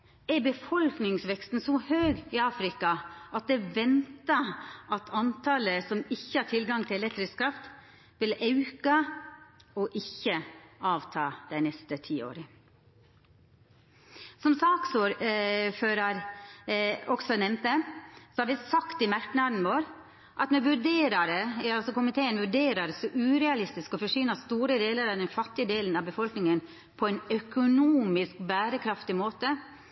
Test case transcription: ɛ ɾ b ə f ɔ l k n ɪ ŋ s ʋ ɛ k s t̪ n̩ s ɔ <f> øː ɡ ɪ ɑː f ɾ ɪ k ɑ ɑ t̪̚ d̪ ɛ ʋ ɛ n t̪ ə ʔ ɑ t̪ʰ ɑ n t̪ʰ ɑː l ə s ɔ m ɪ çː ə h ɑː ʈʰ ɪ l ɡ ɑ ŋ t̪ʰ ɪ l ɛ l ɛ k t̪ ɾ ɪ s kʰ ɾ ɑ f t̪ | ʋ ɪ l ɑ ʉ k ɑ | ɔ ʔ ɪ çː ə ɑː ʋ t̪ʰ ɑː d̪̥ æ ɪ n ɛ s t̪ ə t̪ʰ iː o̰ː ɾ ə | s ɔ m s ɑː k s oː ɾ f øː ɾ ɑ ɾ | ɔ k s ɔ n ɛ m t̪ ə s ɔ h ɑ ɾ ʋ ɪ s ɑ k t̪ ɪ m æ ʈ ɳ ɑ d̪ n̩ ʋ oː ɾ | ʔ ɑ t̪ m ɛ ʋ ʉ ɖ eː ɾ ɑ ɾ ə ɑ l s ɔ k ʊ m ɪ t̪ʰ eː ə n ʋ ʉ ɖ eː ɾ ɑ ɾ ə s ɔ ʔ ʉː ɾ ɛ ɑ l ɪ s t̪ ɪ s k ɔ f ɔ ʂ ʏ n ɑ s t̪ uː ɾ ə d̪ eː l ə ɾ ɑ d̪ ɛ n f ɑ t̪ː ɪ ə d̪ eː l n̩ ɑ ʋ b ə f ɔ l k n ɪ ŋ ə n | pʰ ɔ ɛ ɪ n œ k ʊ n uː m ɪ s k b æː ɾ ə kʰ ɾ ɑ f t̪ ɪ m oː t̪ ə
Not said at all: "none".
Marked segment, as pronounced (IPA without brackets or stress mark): h